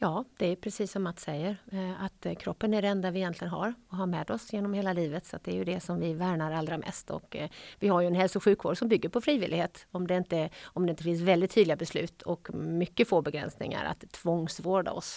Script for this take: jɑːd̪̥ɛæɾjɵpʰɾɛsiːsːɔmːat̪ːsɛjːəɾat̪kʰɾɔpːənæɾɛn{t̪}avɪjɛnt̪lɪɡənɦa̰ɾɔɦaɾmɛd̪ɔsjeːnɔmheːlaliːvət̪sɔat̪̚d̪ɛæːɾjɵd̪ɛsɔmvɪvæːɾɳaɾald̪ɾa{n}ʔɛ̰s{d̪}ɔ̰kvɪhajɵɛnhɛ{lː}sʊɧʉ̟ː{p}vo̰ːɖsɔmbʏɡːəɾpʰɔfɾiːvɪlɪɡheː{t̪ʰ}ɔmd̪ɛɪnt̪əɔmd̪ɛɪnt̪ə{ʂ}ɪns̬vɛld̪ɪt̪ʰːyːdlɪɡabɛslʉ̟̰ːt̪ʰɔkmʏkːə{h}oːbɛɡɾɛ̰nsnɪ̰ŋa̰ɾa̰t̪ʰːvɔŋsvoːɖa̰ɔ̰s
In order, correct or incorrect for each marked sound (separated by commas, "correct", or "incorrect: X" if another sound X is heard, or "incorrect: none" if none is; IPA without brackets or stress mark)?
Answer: incorrect: d̪, incorrect: m, incorrect: t̪, incorrect: l, incorrect: k, incorrect: t̪, incorrect: f, incorrect: f